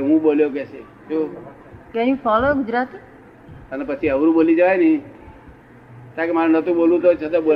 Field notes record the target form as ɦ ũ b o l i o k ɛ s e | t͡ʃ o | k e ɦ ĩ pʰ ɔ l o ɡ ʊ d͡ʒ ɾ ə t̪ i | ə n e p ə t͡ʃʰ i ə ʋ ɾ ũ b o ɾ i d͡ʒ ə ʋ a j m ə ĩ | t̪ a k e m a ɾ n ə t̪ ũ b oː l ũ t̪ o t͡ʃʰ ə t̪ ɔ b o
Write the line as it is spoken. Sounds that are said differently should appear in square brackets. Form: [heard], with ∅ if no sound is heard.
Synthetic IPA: ɦ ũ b o l [j] o k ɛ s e | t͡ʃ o | k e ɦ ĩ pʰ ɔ l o ɡ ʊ d͡ʒ ɾ [a] t̪ i | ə n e p ə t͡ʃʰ i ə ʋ ɾ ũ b o [l] i d͡ʒ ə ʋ a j [n] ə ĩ | t̪ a k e m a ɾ n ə t̪ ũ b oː l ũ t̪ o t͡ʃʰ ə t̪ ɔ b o